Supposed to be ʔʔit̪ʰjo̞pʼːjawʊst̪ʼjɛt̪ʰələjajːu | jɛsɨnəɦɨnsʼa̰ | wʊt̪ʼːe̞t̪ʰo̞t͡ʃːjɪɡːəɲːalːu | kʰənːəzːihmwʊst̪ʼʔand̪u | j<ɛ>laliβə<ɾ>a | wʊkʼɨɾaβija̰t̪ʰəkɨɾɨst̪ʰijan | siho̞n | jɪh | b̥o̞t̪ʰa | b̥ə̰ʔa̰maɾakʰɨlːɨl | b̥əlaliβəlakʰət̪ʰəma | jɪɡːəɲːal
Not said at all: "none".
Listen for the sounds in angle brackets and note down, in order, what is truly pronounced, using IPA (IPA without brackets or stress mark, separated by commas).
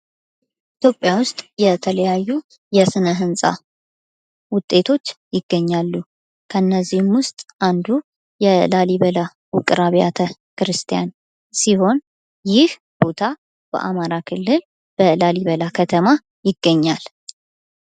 ɛ, l